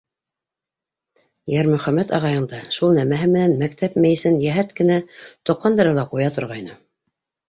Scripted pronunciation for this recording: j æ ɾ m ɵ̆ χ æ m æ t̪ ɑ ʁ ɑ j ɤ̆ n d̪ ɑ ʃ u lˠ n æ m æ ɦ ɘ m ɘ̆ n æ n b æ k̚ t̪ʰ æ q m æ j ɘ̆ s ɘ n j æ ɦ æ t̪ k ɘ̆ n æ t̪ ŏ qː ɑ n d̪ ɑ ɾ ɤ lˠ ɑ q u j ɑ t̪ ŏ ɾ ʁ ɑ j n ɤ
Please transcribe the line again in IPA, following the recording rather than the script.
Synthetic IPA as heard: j æ ɾ m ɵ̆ χ æ m æ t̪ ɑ ʁ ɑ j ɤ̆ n d̪ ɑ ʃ u lˠ n æ m æ ɦ ɘ m ɘ̆ n æ n m æ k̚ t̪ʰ æ p m æ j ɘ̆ s ɘ n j æ ɦ æ t̪ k ɘ̆ n æ t̪ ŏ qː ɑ n d̪ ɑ ɾ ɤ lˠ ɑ q u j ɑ t̪ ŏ ɾ ʁ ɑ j n ɤ